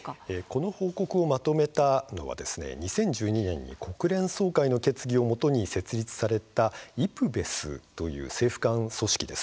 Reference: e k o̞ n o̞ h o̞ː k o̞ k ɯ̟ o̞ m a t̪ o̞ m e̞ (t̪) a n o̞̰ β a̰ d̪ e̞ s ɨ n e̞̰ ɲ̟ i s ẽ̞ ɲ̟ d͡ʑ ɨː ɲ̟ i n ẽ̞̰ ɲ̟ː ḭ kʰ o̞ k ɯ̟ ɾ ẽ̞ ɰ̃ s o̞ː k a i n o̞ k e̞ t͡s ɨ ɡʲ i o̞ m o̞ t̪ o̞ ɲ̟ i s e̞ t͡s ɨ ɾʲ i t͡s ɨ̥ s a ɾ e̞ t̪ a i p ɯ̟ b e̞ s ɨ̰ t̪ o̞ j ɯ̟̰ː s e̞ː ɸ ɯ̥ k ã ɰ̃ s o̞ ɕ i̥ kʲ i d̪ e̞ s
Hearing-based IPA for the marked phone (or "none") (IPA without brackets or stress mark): t̪